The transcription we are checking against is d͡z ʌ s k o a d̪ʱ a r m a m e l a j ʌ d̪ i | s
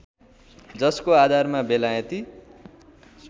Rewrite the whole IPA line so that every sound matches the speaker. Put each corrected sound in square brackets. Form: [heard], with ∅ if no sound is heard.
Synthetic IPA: d͡z ʌ s k o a d̪ʱ a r m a [b] e l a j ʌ [t̪] i | s